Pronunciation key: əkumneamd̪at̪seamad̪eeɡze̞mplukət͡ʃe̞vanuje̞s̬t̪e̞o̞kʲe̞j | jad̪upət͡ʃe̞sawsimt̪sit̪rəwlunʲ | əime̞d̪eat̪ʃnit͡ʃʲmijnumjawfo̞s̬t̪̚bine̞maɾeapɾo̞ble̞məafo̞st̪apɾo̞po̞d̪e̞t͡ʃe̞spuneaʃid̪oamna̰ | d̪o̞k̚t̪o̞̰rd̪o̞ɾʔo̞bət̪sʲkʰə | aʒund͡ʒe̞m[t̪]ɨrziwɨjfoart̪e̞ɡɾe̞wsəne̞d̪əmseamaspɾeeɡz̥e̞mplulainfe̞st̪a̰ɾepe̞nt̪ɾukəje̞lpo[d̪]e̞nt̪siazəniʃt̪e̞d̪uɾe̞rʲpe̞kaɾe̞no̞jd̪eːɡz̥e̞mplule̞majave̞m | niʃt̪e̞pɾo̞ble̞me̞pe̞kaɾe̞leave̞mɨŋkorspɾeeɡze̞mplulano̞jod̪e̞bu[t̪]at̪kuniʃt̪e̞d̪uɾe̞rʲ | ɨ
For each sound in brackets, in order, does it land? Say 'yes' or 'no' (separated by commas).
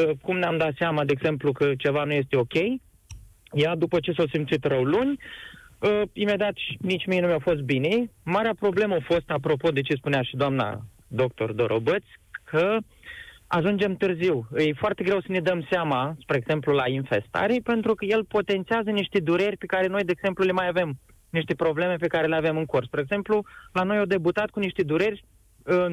yes, no, yes